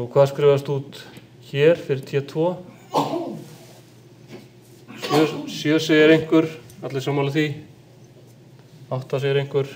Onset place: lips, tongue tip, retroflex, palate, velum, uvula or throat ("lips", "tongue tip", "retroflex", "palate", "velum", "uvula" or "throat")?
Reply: velum